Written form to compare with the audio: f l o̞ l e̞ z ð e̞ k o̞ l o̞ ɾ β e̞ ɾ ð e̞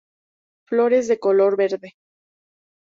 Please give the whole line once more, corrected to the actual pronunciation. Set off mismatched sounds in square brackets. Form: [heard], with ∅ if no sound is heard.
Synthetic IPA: f l o̞ [ɾ] e̞ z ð e̞ k o̞ l o̞ ɾ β e̞ ɾ ð e̞